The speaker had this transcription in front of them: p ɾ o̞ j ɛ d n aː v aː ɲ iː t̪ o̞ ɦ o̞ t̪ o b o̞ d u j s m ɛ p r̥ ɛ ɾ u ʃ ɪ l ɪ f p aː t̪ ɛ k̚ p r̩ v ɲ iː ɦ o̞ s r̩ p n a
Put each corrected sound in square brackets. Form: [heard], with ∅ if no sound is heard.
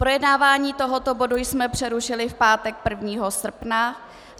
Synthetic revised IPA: p ɾ o̞ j ɛ d n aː v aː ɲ iː t̪ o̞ ɦ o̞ t̪ o b o̞ d u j s m ɛ p r̥ ɛ ɾ u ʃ ɪ l ɪ f p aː t̪ ɛ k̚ p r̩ v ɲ iː ɦ o̞ s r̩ p n a